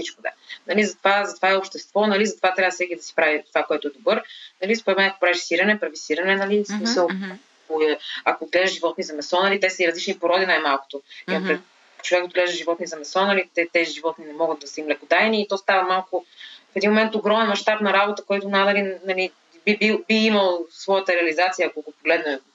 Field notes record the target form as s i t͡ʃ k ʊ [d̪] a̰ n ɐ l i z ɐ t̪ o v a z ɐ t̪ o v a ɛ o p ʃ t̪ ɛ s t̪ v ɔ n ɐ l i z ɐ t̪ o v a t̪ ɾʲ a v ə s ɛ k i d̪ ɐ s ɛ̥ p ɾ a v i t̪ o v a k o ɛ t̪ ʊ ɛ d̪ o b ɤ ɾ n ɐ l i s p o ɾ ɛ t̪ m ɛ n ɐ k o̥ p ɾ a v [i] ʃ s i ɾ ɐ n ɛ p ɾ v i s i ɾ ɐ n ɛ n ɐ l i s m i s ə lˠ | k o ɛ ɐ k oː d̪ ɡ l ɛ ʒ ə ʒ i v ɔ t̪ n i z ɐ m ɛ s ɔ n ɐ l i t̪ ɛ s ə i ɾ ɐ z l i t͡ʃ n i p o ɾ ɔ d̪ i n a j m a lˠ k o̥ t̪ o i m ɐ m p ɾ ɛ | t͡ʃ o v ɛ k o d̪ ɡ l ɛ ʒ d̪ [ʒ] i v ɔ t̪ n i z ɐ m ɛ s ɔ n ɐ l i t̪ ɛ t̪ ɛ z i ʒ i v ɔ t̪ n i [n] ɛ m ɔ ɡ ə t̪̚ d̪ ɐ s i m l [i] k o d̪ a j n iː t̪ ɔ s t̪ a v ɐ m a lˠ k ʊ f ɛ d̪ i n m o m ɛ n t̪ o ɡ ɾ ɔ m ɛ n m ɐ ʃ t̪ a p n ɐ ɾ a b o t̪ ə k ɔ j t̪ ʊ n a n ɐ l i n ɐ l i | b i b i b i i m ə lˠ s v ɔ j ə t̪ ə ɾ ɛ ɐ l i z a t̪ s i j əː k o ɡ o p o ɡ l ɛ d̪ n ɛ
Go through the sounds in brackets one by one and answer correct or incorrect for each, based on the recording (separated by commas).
correct, correct, correct, correct, incorrect